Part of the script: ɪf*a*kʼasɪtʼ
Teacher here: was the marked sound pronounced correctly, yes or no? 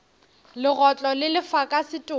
yes